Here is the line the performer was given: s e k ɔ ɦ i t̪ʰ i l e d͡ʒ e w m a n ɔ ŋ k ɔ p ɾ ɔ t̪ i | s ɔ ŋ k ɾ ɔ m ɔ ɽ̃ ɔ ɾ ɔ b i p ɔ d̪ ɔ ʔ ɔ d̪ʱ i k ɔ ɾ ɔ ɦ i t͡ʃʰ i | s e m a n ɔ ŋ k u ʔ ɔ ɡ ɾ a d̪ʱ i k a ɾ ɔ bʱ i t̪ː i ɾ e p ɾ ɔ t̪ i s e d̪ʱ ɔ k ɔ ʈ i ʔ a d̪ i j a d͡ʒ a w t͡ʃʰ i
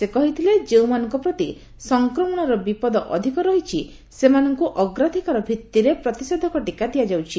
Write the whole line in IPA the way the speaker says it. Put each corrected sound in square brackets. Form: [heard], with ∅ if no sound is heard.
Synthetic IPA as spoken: s e k ɔ ɦ i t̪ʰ i l e d͡ʒ e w m a n ɔ ŋ k ɔ p ɾ ɔ t̪ i | s ɔ ŋ k ɾ ɔ m ɔ ɽ̃ ɔ ɾ ɔ b i p ɔ d̪ ɔ ʔ ɔ d̪ʱ i k ɔ ɾ ɔ ɦ i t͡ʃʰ i | s e m a n ɔ ŋ k u ʔ ɔ ɡ ɾ a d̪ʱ i k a ɾ ɔ bʱ i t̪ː i ɾ e p ɾ ɔ t̪ i s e d̪ʱ ɔ k ɔ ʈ i [k] a d̪ i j a d͡ʒ a w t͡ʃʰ i